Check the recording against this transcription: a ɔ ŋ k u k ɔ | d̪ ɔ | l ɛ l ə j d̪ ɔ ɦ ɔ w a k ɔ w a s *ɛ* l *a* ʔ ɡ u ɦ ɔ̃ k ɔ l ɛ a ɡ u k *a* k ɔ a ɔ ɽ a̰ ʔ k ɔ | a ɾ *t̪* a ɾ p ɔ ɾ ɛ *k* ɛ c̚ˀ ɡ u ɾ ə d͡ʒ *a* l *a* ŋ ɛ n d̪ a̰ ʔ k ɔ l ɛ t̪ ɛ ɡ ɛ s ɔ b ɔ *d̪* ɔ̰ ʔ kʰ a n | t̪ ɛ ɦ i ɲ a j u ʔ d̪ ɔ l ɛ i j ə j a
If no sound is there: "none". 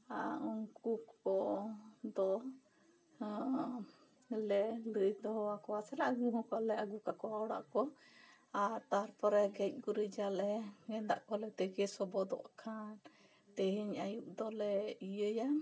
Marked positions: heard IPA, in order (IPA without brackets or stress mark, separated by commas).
ɛ, a, a, t̪, ɡ, a, ɛ, d̪